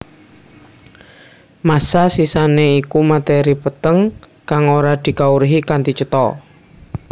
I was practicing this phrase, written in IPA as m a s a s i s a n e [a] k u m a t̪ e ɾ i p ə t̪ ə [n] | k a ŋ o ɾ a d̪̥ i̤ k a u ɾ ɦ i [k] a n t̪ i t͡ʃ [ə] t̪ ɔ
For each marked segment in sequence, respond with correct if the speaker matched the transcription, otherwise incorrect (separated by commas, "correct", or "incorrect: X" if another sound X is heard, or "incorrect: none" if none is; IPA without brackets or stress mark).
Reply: incorrect: i, incorrect: ŋ, correct, correct